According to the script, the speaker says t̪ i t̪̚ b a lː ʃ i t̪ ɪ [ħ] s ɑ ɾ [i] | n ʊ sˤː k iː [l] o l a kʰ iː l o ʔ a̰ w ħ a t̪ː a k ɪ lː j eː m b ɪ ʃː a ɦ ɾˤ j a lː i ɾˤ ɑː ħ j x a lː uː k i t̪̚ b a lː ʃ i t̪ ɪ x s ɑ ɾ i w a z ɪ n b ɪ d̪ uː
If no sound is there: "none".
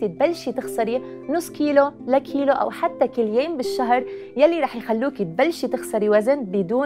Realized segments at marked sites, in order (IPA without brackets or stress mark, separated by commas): x, i, l